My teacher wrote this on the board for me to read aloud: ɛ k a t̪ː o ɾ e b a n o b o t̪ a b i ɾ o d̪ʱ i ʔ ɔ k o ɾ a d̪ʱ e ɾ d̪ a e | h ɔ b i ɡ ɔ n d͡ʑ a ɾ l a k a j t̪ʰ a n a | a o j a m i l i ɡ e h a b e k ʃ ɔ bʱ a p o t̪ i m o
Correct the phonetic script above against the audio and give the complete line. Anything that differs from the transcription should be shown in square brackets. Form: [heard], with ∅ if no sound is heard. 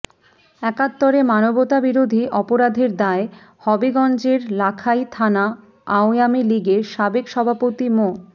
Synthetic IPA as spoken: ɛ k a t̪ː o ɾ e [m] a n o b o t̪ a b i ɾ o d̪ʱ i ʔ ɔ [p] o ɾ a d̪ʱ e ɾ d̪ a e | h ɔ b i ɡ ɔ n d͡ʑ [e] ɾ l a [kʰ] a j t̪ʰ a n a | a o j a m i l i ɡ e [ʃ] a b e k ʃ ɔ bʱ a p o t̪ i m o